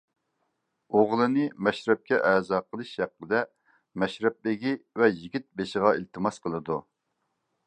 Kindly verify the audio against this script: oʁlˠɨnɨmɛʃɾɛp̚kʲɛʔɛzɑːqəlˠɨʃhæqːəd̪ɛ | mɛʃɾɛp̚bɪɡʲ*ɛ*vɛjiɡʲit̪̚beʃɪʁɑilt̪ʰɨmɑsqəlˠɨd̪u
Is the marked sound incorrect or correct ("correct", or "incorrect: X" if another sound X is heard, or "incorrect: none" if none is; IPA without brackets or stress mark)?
incorrect: i